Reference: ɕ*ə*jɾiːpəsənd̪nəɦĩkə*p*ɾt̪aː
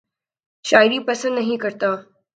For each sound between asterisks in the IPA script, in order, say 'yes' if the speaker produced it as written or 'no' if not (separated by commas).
no, no